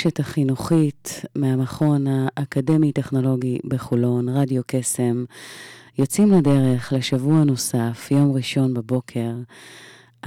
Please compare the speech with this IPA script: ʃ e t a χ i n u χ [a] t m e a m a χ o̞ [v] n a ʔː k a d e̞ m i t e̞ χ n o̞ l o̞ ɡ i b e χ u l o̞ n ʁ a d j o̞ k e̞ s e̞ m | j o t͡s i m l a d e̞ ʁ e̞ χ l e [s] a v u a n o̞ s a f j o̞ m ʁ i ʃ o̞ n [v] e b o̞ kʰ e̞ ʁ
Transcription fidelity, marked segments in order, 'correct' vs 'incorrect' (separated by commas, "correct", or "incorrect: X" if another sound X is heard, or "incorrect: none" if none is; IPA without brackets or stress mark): incorrect: i, incorrect: none, incorrect: ʃ, incorrect: b